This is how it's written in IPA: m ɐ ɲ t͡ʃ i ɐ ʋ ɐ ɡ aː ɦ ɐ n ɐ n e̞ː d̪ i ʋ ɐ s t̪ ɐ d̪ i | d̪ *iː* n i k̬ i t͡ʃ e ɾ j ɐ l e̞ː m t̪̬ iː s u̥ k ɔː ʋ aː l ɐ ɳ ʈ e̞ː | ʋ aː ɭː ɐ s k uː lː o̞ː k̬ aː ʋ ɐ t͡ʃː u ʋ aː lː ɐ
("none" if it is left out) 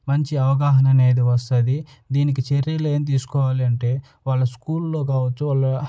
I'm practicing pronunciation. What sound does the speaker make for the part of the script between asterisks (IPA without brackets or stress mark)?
iː